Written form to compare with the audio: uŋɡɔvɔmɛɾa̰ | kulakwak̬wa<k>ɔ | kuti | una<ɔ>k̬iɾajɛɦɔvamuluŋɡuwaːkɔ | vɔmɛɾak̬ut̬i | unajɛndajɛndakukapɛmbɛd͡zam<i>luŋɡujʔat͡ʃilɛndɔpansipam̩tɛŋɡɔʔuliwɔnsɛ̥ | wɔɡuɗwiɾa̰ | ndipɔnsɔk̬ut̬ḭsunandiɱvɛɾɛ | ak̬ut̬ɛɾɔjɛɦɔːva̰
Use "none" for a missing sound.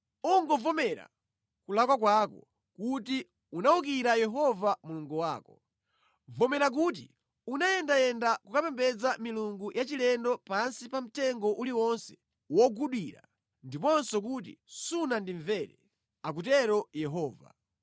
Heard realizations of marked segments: k, u, i

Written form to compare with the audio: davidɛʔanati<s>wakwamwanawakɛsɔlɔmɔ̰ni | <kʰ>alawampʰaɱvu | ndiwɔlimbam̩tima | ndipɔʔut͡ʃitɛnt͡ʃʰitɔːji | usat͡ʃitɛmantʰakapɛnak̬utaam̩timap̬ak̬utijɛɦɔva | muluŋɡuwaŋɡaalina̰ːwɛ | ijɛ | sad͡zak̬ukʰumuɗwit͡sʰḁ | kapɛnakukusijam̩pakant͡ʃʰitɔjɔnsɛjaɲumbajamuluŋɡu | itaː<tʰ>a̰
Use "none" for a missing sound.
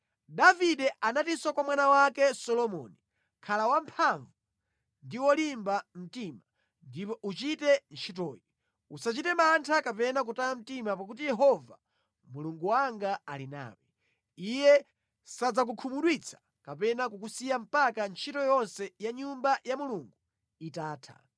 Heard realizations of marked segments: s, kʰ, tʰ

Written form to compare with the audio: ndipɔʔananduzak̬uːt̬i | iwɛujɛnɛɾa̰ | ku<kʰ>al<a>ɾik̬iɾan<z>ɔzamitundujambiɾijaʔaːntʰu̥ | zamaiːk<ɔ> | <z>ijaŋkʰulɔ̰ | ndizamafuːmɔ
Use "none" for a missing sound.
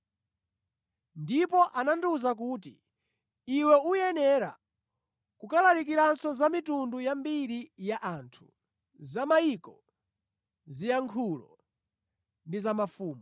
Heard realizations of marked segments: k, a, s, ɔ, z

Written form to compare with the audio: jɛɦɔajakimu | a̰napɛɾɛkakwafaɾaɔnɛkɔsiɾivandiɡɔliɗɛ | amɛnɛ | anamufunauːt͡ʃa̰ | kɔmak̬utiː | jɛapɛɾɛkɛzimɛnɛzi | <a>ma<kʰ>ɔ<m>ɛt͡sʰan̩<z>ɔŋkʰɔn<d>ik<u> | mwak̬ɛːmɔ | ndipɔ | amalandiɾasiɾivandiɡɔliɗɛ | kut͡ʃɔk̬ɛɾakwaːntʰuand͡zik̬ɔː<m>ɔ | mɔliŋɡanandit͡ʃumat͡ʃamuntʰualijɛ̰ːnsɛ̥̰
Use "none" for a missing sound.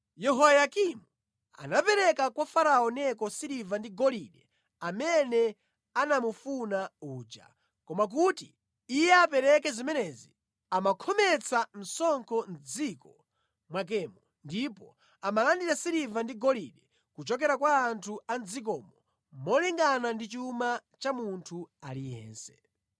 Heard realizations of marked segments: a, kʰ, m, s, d͡z, ɔ, m

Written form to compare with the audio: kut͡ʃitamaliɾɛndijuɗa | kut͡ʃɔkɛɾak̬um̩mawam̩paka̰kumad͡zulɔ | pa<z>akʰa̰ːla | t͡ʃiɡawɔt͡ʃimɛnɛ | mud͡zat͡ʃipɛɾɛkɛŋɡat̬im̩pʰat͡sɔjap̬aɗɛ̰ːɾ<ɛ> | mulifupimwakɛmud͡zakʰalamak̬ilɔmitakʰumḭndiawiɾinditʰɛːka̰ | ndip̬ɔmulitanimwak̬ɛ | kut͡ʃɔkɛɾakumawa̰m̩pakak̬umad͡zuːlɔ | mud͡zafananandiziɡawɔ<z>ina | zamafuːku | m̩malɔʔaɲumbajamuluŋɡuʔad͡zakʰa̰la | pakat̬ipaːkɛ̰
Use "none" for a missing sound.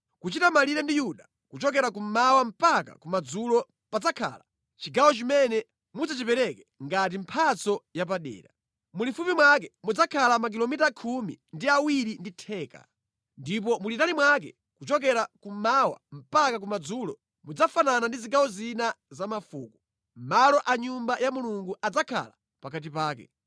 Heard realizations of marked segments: d͡z, a, z

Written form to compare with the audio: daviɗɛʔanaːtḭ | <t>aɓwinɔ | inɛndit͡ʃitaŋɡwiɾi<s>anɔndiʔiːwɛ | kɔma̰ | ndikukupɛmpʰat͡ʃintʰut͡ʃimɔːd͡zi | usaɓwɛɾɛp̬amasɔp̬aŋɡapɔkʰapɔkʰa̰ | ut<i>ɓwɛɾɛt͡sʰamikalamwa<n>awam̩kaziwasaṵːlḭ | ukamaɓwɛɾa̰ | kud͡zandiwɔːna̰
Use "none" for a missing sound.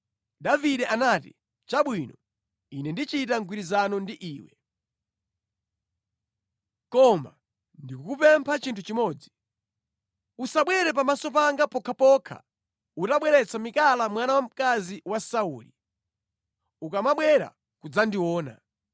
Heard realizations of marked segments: t͡ʃ, z, a, n

